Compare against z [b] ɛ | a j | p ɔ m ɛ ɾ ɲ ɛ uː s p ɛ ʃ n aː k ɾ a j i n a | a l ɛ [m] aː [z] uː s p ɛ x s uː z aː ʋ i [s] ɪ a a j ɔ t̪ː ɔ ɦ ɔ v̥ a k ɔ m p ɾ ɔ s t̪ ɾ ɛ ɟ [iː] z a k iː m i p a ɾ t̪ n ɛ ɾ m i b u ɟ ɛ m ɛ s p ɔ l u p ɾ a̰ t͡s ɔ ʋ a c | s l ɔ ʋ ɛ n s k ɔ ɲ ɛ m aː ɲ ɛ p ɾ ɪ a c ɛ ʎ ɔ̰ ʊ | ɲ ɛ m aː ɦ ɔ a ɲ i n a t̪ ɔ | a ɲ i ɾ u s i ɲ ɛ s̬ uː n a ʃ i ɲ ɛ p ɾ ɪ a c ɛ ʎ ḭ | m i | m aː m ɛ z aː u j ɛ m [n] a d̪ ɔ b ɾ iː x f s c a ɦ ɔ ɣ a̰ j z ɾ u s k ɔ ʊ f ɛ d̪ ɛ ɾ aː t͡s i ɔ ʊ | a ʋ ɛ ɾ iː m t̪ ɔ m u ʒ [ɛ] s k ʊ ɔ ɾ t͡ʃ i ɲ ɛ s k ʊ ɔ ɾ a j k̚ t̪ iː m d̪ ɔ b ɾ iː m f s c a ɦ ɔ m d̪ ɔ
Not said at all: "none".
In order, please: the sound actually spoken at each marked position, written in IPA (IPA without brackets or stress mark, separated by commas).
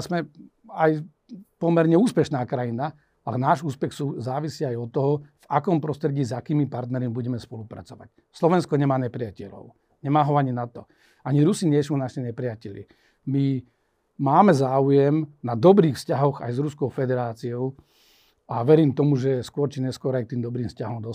m, n, ʒ, s, iː, n, ɛ